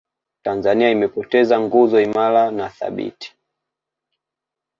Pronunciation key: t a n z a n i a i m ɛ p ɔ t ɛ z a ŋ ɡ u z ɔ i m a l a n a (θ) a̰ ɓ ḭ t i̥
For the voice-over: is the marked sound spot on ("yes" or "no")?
yes